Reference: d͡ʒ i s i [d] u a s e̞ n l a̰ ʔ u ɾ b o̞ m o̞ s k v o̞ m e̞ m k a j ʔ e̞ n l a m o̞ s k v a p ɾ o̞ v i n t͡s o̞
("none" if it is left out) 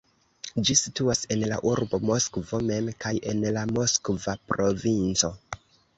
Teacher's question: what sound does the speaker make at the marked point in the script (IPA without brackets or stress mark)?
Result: t